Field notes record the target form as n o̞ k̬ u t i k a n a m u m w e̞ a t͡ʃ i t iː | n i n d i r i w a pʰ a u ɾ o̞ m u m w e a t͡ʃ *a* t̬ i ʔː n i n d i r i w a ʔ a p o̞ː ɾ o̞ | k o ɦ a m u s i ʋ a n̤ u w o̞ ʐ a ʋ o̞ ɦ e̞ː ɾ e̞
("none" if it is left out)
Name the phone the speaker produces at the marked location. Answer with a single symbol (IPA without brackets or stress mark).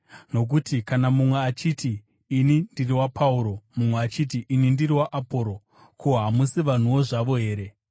i